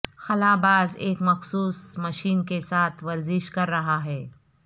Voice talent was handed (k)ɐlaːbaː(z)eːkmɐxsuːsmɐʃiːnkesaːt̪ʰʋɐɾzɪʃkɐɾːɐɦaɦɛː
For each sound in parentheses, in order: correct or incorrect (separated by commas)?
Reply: incorrect, correct